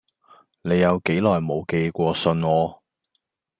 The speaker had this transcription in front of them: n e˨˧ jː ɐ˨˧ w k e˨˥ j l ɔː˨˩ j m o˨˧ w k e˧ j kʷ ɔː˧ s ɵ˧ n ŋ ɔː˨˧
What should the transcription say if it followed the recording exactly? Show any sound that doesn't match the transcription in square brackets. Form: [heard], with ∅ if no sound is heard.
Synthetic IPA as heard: n e˨˧ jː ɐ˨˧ w k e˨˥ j l ɔː˨˩ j m o˨˧ w k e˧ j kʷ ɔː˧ s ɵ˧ n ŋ ɔː˨˧